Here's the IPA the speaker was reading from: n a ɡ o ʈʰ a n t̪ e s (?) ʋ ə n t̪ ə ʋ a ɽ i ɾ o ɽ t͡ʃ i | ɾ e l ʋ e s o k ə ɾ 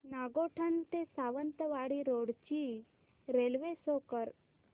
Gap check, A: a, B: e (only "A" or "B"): A